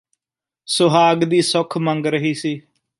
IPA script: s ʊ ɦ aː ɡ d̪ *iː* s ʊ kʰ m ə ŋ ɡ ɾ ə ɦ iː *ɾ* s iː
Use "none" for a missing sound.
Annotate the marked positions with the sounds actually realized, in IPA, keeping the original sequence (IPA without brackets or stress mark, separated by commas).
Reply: iː, none